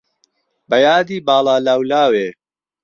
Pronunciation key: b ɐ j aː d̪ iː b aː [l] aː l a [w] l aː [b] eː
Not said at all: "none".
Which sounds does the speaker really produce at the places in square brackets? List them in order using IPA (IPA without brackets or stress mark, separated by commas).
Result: l, w, w